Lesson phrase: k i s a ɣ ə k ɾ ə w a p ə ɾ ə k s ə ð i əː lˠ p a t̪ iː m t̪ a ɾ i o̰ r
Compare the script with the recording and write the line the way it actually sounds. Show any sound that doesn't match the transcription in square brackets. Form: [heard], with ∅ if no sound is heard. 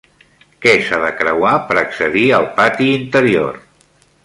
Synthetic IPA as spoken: k [ɛ] s a [ð] ə k ɾ ə w a p ə ɾ ə k s ə ð i [ə] lˠ p a t̪ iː [n] t̪ [ə] ɾ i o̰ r